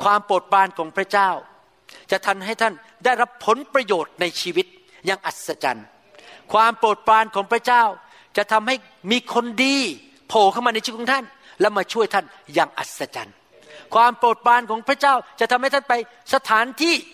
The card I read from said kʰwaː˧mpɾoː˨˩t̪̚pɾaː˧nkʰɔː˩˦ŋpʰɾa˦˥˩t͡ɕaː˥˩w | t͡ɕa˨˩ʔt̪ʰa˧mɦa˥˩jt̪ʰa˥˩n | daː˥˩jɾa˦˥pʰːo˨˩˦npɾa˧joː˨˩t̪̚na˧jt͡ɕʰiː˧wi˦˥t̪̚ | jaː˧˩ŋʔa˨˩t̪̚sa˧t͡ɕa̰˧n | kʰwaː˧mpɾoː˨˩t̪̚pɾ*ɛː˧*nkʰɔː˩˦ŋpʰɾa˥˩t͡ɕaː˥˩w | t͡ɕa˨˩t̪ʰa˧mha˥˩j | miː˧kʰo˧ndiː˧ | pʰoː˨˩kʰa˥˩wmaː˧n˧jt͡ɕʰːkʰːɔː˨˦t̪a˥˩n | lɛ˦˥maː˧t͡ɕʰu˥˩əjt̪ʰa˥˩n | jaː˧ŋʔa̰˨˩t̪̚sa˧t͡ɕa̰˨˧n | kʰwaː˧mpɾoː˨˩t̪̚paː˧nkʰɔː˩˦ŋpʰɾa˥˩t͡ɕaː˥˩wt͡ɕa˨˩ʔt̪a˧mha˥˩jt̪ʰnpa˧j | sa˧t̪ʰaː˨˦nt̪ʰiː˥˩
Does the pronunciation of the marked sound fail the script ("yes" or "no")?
yes